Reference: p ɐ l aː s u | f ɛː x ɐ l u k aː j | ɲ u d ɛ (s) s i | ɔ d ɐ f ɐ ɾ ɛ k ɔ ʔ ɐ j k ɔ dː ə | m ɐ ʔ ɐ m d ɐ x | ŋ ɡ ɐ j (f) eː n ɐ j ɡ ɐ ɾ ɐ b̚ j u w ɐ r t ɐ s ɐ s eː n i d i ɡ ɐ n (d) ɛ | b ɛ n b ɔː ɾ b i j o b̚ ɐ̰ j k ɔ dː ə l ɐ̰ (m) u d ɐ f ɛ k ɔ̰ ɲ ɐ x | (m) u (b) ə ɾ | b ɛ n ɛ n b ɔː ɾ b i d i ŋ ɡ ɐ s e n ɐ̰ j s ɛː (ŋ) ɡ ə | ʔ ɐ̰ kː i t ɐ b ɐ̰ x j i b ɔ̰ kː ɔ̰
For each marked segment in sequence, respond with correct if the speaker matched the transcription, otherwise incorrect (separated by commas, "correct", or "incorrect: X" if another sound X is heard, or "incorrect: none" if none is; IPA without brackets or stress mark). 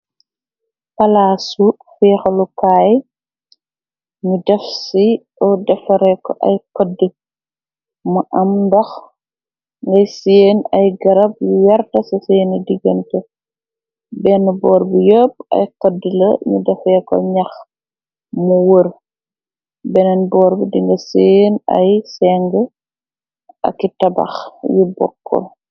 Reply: incorrect: f, incorrect: s, incorrect: t, incorrect: ɲ, correct, incorrect: w, correct